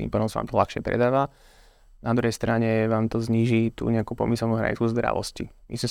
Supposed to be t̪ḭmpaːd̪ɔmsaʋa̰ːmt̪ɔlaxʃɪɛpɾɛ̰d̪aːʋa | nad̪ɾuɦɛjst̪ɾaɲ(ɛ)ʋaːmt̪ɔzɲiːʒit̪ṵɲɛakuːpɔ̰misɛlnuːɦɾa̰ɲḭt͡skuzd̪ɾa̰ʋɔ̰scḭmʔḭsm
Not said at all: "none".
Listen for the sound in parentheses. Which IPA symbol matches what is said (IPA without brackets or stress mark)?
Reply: ɛ